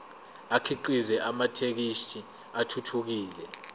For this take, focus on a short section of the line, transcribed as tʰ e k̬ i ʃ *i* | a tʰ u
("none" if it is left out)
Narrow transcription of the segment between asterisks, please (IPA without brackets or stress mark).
i